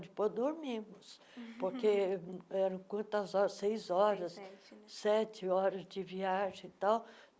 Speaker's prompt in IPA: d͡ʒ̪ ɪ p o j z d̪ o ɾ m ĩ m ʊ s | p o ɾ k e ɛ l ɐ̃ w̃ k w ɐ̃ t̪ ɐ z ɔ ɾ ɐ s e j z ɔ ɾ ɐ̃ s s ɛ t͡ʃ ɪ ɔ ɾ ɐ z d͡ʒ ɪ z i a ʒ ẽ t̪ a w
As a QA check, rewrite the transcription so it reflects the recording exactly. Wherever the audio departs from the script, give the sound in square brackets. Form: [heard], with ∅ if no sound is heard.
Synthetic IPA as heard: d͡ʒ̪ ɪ p o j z d̪ o ɾ m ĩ m ʊ s | p o ɾ k e ɛ [ɾ] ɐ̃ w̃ k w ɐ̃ t̪ ɐ z ɔ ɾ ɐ s e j z ɔ ɾ [ɐ] s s ɛ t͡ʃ ɪ ɔ ɾ ɐ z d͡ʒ ɪ [v] i a ʒ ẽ t̪ a w